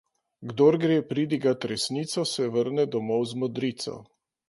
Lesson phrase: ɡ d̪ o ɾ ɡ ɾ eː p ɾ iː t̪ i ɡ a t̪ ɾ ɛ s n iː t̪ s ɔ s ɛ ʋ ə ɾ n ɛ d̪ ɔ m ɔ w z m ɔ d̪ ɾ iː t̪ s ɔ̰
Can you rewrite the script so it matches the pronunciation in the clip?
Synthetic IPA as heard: ɡ d̪ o ɾ ɡ ɾ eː p ɾ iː d̪ i ɡ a t̪ ɾ ɛ s n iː t̪ s ɔ s ɛ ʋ ə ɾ n ɛ d̪ ɔ m ɔ w z m ɔ d̪ ɾ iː t̪ s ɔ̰